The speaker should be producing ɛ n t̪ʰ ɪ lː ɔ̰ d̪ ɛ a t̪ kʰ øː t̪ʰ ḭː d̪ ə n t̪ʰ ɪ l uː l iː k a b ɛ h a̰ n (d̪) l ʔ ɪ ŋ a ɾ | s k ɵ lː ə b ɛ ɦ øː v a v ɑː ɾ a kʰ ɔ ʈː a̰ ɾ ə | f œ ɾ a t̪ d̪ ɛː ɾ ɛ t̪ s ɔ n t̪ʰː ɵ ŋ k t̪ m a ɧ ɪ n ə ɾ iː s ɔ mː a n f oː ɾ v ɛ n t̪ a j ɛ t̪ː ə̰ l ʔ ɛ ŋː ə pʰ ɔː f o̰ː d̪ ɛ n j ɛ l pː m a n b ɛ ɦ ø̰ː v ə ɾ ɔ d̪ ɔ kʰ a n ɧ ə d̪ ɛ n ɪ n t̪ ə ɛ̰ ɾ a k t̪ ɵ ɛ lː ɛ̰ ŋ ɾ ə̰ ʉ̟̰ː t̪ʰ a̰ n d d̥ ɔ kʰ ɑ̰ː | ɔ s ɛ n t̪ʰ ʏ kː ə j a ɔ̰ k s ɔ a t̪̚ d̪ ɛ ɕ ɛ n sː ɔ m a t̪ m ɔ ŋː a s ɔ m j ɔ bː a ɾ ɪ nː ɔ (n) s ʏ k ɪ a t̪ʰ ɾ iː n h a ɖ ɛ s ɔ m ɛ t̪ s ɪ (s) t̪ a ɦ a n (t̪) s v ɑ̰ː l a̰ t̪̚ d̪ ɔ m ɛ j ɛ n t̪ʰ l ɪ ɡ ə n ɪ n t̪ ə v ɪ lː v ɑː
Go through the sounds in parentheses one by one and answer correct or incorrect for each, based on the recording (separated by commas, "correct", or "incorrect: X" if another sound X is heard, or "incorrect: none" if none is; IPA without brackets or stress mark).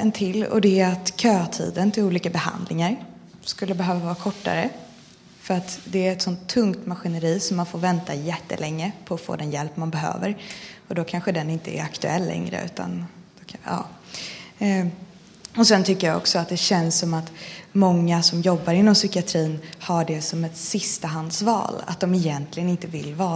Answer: correct, incorrect: m, correct, incorrect: d̪